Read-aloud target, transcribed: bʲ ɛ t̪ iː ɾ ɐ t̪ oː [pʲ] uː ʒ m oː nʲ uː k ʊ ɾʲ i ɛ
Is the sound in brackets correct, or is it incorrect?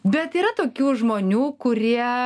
incorrect